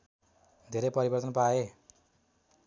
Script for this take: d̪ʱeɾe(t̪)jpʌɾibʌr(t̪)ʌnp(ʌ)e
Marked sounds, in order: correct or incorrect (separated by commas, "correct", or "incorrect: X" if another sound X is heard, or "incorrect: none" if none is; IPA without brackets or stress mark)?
incorrect: none, correct, incorrect: a